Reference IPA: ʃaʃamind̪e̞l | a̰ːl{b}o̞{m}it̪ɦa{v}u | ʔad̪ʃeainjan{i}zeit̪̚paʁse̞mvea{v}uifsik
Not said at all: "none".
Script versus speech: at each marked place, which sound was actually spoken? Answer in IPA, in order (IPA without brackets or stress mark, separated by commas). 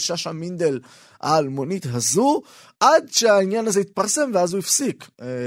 m, n, z, a, z